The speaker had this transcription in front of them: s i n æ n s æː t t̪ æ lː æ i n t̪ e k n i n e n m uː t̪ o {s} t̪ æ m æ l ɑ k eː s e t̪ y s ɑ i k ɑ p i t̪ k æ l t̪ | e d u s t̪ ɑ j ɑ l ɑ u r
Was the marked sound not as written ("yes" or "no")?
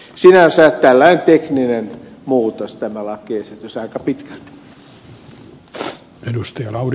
no